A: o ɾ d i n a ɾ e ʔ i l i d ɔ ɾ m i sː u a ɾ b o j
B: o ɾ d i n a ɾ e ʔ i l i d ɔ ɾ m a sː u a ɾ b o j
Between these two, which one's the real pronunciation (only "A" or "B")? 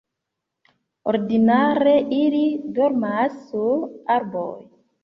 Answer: B